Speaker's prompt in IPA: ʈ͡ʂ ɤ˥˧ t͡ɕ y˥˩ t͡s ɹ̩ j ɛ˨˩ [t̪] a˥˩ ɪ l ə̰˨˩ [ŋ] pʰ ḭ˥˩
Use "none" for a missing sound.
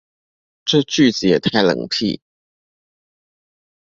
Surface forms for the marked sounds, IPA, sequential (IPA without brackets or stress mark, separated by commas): t̪ʰ, ŋ